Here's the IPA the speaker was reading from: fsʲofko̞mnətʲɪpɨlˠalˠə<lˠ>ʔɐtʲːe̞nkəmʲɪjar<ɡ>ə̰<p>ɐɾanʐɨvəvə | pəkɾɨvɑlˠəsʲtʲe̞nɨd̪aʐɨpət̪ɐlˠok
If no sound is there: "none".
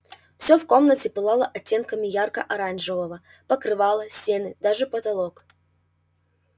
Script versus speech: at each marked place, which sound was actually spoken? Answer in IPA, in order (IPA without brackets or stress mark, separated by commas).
none, k, ʔ